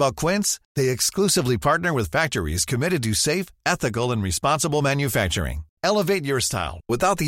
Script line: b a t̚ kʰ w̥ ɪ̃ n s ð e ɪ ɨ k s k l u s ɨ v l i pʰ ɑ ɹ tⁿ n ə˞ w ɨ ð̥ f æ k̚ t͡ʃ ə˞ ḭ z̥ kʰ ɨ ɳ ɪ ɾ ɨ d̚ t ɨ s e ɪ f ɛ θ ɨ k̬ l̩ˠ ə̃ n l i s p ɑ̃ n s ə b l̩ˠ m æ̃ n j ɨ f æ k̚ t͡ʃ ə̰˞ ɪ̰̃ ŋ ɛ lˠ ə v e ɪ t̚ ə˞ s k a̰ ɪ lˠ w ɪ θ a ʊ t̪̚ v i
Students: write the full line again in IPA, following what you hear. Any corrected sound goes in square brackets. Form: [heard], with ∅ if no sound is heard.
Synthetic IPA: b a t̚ kʰ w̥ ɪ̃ n s ð e ɪ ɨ k s k l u s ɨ v l i pʰ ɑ ɹ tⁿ n ə˞ w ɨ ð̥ f æ k̚ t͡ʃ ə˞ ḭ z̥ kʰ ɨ [m] ɪ ɾ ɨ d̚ t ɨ s e ɪ f ɛ θ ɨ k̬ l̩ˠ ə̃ n [ɹ] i s p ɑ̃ n s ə b l̩ˠ m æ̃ n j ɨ f æ k̚ t͡ʃ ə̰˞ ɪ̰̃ ŋ ɛ lˠ ə v e ɪ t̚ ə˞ s [t] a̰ ɪ lˠ w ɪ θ a ʊ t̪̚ [ð] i